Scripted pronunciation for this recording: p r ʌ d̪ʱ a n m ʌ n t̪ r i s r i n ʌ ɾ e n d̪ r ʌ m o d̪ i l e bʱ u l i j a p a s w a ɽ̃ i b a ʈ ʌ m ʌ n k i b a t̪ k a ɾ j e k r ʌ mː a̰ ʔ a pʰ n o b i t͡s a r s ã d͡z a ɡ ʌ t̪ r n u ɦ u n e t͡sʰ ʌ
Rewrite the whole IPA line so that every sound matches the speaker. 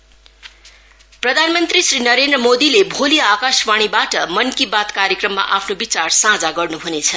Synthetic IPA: p r ʌ d̪ʱ a n m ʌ n t̪ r i s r i n ʌ ɾ e n d̪ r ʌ m o d̪ i l e bʱ o l i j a k a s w a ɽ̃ i b a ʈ ʌ m ʌ n k i b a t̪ k a ɾ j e k r ʌ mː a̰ ʔ a pʰ n o b i t͡s a r s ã d͡z a ɡ ʌ r n u ɦ u n e t͡sʰ ʌ